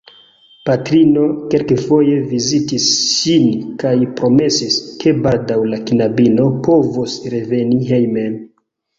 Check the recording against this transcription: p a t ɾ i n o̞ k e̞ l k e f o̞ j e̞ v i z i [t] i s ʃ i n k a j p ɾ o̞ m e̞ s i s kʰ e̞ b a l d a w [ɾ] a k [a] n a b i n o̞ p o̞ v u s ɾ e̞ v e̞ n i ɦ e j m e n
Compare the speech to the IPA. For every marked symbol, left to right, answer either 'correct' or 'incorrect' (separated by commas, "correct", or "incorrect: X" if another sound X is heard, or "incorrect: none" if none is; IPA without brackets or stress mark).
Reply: correct, incorrect: l, incorrect: i